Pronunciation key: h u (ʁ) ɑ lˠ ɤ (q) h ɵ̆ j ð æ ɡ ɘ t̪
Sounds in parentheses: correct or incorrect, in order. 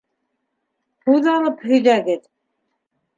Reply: incorrect: ð, incorrect: p

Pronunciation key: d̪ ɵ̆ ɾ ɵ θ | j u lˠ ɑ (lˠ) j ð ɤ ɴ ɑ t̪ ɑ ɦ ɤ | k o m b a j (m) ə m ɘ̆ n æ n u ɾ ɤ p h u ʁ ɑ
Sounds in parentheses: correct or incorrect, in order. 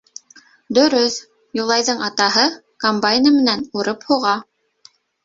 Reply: incorrect: none, incorrect: n

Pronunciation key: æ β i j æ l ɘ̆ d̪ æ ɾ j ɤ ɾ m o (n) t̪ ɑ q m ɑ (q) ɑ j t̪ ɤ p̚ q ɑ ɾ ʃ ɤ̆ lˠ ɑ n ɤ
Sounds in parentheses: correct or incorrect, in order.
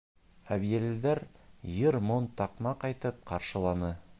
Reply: correct, correct

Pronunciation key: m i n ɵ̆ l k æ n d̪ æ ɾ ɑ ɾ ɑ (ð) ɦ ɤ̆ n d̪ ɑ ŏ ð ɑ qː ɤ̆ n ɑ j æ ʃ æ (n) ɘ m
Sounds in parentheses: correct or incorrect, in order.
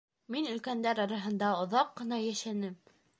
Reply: incorrect: none, correct

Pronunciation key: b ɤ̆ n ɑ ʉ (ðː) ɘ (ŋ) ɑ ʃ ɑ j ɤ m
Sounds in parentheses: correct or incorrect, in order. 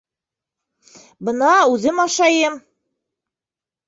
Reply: incorrect: ð, incorrect: m

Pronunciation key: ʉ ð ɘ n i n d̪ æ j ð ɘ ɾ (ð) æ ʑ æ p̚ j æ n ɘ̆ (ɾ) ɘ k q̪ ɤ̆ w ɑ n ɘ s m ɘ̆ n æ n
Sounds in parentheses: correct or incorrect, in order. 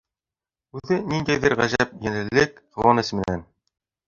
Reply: incorrect: ʁ, incorrect: l

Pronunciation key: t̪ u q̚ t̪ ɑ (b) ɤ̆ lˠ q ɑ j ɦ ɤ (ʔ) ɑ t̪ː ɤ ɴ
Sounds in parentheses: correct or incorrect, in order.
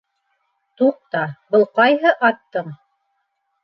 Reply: correct, correct

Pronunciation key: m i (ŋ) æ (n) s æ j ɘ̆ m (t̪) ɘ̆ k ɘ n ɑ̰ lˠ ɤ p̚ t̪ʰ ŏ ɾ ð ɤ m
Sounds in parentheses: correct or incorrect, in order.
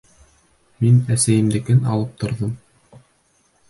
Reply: incorrect: n, incorrect: none, incorrect: d̪

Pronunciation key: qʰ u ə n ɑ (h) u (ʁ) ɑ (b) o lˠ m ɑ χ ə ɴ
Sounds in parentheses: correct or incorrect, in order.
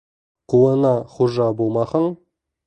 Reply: incorrect: χ, incorrect: ʒ, correct

